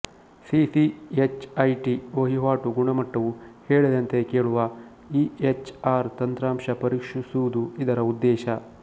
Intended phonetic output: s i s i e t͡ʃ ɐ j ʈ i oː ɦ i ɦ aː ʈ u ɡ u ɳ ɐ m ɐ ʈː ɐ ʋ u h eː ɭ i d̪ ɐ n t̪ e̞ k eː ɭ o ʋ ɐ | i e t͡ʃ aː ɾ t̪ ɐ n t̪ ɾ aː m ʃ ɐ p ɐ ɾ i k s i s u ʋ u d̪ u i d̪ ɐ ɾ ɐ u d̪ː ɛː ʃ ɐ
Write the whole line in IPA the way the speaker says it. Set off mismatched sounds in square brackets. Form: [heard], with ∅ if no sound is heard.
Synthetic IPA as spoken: s i s i e t͡ʃ ɐ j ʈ i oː ɦ i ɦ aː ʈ u ɡ u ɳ ɐ m ɐ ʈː ɐ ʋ u h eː ɭ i d̪ ɐ n t̪ e̞ k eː ɭ [u] ʋ ɐ | i e t͡ʃ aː ɾ t̪ ɐ n t̪ ɾ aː m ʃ ɐ p ɐ ɾ i k [ʂ] i s u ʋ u d̪ u i d̪ ɐ ɾ ɐ u d̪ː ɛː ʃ ɐ